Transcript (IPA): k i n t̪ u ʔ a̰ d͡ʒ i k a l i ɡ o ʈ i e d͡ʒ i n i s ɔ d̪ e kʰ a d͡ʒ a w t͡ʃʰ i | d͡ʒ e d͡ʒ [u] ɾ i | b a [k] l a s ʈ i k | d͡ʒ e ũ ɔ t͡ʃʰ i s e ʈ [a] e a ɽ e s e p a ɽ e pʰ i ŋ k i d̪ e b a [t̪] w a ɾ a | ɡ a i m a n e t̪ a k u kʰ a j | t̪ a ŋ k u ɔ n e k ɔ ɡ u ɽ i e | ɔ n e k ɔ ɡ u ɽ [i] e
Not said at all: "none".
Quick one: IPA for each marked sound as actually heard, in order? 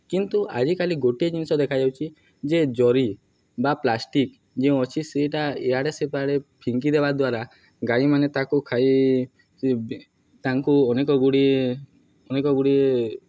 ɔ, p, a, d̪, i

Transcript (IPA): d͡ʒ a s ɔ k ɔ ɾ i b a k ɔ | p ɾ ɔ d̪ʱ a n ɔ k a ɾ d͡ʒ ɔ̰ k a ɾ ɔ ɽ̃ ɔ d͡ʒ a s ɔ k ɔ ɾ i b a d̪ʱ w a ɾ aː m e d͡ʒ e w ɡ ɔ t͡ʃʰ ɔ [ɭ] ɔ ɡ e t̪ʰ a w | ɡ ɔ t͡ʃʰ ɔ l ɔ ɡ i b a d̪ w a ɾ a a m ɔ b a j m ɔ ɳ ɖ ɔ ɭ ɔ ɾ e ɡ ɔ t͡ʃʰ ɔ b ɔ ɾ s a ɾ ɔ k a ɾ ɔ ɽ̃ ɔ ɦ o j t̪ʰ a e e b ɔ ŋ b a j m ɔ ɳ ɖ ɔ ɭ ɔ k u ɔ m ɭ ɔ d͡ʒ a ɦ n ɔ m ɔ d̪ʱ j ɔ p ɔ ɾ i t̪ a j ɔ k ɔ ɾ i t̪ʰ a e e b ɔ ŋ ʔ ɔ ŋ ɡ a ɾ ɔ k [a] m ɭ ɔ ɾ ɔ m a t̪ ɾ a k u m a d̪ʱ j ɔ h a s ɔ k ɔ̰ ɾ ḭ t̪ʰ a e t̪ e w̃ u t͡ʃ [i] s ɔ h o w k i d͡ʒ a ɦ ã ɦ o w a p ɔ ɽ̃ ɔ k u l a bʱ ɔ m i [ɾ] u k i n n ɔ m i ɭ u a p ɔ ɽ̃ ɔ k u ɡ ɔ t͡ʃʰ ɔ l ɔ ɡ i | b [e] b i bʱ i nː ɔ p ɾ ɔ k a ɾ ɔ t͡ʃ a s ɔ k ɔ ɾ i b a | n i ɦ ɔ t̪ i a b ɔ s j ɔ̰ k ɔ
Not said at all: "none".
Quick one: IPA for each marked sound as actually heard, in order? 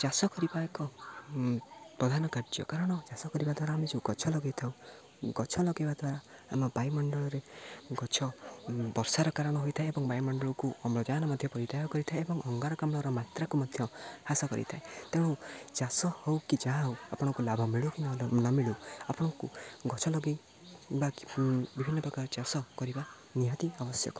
l, a, a, ɭ, a

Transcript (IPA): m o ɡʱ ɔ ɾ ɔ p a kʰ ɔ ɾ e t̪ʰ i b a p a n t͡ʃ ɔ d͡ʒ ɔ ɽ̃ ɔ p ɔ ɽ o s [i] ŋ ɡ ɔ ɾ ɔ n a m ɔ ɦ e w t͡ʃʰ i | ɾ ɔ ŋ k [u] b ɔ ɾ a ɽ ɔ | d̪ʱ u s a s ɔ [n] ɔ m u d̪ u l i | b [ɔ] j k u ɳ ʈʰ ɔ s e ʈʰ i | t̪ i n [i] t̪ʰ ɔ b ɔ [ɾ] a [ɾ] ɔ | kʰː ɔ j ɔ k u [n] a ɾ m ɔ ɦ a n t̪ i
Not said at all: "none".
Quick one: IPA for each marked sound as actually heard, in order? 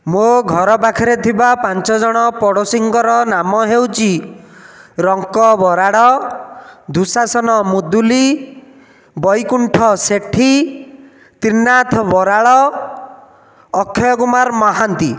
i, ɔ, n, ɔ, a, ɾ, ɭ, m

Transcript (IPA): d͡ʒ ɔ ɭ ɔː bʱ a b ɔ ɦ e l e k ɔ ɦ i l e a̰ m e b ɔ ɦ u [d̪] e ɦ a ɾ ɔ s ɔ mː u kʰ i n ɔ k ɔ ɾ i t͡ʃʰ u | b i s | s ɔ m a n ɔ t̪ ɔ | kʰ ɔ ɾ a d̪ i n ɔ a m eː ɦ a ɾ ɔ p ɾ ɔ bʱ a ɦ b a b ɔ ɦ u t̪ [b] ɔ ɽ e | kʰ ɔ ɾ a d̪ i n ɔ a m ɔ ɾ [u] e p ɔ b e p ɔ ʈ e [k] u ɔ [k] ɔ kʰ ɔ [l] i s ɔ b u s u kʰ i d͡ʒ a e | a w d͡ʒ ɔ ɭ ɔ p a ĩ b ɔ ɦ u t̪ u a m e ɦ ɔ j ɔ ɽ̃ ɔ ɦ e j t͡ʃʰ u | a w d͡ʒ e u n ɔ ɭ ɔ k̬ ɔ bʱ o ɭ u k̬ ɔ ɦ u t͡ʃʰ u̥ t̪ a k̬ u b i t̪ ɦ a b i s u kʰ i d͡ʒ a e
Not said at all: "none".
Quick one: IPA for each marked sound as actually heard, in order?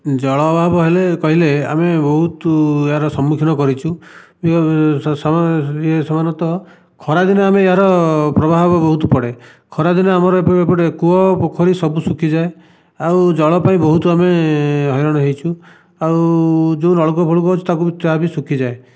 t̪, p, ɔ, k, p, ɾ

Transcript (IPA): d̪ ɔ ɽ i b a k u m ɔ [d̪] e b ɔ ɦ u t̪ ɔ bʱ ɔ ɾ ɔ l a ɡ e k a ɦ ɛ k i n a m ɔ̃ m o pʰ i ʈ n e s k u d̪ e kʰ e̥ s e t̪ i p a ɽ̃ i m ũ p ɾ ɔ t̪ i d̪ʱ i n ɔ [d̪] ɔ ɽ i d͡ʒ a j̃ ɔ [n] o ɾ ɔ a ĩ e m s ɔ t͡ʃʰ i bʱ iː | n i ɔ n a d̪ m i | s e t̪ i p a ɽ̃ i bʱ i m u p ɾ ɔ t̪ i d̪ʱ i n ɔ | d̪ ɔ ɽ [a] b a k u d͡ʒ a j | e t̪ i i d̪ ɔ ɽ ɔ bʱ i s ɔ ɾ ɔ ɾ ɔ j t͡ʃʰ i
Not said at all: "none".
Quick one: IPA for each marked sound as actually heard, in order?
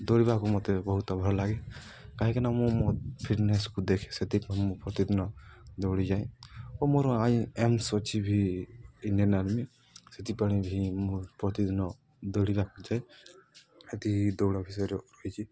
t̪, d̪, m, i

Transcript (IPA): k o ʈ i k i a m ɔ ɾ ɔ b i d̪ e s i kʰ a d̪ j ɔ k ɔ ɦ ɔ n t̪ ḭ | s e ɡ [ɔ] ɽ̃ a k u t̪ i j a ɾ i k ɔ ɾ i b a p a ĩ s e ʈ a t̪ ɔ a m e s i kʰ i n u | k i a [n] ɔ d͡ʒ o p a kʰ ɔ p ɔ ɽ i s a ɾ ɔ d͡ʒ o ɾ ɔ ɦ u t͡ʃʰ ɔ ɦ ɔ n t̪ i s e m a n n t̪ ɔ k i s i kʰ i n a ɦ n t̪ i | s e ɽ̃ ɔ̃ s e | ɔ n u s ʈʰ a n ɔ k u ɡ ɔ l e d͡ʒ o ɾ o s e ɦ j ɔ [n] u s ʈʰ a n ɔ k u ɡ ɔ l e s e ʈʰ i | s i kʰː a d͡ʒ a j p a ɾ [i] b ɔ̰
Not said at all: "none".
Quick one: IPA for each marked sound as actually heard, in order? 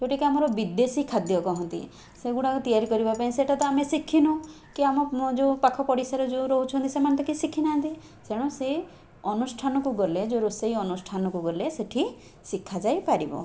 u, m, n, i

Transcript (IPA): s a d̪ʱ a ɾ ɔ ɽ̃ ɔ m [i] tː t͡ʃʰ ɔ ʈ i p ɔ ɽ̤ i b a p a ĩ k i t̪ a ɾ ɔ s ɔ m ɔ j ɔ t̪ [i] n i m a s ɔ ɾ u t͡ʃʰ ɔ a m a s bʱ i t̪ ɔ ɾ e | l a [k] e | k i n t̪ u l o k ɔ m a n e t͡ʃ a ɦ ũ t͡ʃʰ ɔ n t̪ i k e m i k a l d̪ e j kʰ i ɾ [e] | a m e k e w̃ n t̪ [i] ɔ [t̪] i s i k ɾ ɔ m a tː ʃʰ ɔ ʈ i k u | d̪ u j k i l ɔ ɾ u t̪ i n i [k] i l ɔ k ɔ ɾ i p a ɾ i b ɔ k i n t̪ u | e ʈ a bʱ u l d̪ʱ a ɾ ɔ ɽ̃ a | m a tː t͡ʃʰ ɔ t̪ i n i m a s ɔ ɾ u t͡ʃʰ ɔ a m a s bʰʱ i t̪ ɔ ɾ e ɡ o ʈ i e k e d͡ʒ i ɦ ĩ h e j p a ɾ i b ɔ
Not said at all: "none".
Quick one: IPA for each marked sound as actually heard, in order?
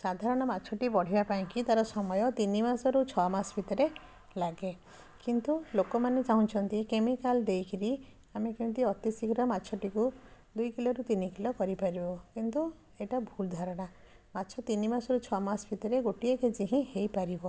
a, i, ɡ, i, i, t̪, k

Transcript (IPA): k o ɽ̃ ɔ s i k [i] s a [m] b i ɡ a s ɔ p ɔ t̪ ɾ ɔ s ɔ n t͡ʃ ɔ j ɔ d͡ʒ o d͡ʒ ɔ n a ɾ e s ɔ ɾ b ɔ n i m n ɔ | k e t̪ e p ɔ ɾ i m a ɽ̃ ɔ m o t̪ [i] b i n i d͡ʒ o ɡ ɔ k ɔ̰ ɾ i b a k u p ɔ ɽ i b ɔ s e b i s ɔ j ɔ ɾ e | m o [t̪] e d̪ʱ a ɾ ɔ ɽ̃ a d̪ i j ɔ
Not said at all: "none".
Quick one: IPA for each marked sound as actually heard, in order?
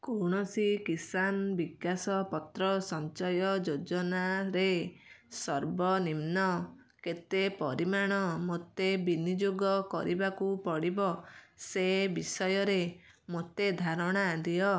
i, n, e, t̪

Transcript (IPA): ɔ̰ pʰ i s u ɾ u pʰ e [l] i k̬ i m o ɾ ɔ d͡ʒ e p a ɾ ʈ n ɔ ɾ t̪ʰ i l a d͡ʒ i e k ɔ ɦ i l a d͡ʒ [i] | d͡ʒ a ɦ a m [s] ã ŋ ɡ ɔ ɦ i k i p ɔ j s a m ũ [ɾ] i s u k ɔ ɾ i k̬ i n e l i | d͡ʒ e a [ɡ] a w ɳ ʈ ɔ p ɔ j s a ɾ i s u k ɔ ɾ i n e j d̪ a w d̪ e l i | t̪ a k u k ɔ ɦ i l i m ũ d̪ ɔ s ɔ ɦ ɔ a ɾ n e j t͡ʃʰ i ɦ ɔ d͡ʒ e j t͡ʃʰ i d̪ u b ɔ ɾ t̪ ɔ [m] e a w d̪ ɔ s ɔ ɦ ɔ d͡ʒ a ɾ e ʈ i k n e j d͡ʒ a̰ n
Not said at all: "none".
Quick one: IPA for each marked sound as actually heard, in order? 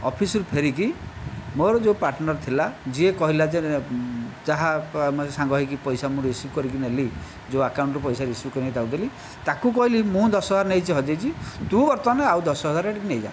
ɾ, e, s, ɾ, k, n

